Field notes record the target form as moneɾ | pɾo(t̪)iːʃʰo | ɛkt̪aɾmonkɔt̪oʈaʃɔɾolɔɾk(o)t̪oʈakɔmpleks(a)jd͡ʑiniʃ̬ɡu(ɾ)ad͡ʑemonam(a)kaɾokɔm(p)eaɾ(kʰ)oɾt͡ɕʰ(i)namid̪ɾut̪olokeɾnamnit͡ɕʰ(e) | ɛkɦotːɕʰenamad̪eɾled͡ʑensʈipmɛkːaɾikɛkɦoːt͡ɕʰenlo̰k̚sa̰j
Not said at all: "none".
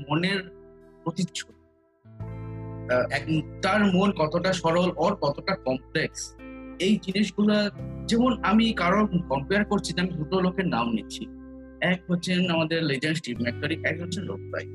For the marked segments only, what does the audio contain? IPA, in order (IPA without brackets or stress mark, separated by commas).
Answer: t̪, ɔ, e, l, i, p, k, i, i